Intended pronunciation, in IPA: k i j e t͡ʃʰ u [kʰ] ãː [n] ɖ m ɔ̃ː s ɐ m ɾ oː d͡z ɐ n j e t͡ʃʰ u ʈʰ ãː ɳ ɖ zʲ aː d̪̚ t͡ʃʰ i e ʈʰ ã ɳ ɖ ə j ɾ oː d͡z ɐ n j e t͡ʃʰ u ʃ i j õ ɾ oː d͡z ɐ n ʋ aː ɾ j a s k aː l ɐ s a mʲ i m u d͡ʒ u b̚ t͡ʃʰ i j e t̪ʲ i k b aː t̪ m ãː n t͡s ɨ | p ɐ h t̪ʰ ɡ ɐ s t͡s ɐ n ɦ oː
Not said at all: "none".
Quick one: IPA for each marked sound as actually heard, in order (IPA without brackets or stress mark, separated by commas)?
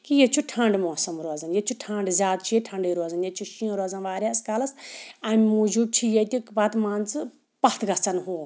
ʈʰ, ɳ